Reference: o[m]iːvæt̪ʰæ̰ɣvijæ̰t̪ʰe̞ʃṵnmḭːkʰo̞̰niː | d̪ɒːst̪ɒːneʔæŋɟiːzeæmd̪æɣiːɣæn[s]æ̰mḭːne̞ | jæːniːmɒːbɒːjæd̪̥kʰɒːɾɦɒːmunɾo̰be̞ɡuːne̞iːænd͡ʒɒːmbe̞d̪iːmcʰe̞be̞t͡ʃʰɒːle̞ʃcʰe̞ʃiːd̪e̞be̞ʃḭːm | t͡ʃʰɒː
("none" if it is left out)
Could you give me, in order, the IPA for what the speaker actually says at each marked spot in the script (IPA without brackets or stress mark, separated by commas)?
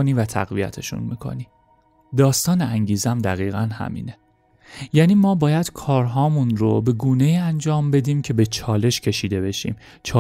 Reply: n, h